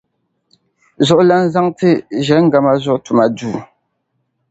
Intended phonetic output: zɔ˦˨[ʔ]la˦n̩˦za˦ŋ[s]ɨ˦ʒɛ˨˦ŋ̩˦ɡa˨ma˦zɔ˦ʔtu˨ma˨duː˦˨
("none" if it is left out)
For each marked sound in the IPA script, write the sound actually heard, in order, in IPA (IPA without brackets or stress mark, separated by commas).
ʔ, t